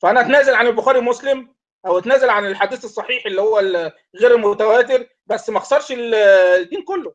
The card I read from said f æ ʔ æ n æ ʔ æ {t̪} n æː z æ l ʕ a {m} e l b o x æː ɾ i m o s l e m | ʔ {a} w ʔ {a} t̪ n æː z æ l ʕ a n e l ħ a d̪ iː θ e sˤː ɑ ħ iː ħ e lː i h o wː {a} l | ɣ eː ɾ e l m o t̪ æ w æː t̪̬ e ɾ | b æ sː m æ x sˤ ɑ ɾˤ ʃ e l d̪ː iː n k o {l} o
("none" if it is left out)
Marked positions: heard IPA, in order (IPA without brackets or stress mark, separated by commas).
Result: t̪, n, æ, æ, æ, lː